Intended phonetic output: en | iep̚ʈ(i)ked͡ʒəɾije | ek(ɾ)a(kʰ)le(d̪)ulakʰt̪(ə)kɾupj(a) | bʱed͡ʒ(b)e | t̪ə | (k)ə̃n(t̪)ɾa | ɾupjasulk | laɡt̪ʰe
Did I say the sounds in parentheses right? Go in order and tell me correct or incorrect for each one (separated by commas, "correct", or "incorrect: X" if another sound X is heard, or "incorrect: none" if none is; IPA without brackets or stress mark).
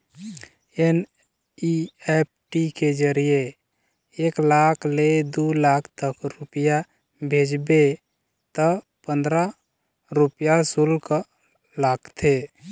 correct, incorrect: l, correct, correct, correct, correct, correct, incorrect: p, incorrect: d̪